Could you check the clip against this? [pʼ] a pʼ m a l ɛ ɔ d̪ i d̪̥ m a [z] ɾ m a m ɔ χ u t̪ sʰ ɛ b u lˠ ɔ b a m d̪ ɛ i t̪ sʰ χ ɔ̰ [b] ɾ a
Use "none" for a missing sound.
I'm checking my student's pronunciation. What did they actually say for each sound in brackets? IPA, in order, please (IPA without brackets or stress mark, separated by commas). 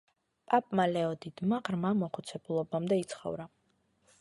pʼ, ʁ, v